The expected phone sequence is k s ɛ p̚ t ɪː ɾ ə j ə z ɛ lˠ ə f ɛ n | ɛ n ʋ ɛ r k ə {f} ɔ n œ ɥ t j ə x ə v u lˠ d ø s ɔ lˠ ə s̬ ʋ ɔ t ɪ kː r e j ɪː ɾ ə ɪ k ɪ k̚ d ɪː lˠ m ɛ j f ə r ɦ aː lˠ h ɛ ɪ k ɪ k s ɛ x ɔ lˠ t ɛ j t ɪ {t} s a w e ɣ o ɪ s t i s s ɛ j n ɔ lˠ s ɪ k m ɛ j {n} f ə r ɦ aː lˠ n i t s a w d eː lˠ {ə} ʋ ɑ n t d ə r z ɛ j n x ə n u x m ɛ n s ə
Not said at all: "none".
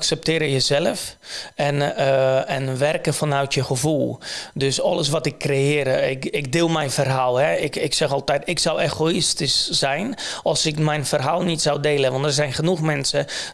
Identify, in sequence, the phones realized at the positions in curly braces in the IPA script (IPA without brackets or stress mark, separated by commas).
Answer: f, k, n, ə